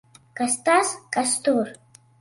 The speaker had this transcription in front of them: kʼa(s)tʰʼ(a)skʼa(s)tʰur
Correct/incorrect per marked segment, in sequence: correct, correct, correct

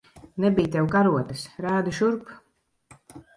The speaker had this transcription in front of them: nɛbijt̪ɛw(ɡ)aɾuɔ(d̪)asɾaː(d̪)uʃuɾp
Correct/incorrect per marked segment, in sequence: incorrect, incorrect, correct

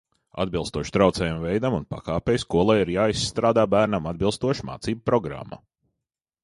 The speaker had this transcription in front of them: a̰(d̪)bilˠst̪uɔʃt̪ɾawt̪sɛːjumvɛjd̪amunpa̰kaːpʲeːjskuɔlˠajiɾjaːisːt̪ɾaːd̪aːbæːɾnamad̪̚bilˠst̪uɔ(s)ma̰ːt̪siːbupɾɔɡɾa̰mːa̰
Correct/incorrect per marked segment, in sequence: correct, incorrect

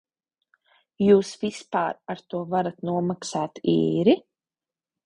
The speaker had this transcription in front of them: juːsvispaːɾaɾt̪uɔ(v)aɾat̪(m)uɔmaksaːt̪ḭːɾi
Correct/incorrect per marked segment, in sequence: correct, incorrect

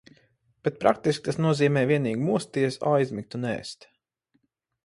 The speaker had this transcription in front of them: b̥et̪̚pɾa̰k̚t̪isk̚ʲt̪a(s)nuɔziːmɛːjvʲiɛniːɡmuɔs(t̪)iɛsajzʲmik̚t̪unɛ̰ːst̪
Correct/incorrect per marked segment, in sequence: correct, correct

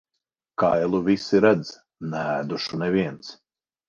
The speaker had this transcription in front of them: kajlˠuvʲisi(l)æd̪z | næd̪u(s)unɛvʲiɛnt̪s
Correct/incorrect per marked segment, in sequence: incorrect, incorrect

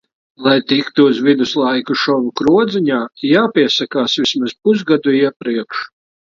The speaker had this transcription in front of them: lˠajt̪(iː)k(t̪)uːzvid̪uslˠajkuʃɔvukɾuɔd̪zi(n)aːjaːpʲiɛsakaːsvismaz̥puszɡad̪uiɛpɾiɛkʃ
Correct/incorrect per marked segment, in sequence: incorrect, correct, incorrect

